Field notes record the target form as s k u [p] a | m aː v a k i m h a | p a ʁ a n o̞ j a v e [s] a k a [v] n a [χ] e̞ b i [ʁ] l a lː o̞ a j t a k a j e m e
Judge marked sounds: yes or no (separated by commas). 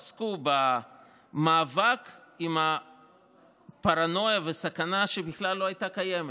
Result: no, yes, no, no, no